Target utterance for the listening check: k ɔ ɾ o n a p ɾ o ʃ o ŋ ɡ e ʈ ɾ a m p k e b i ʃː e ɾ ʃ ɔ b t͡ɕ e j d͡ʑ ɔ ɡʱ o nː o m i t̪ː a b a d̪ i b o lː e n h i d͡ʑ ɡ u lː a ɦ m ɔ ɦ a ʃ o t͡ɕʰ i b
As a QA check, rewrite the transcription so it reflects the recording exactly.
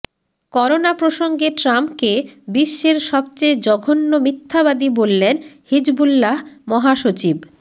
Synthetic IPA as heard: k ɔ ɾ o n a p ɾ o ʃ o ŋ ɡ e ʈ ɾ a m p k e b i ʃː e ɾ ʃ ɔ b t͡ɕ e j d͡ʑ ɔ ɡʱ o nː o m i t̪ʰː a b a d̪ i b o lː e n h i d͡ʑ b u lː a ɦ m ɔ ɦ a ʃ o t͡ɕ i b